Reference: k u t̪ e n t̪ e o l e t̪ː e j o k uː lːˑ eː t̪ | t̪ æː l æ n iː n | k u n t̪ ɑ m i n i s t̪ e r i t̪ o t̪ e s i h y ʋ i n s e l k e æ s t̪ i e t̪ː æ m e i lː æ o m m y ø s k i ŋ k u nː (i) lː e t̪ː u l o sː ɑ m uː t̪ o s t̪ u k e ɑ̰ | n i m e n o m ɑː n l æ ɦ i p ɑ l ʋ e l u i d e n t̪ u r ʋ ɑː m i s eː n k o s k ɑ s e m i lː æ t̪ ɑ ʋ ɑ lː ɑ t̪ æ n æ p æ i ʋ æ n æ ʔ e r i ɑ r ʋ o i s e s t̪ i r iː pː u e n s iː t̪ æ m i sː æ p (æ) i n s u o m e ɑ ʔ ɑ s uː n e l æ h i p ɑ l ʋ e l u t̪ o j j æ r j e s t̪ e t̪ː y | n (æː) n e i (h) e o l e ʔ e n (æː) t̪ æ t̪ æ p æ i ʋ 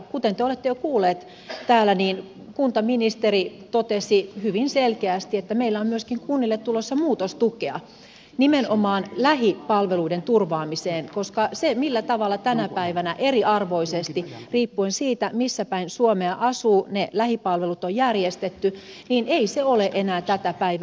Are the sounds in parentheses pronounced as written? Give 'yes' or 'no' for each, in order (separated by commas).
yes, yes, no, no, yes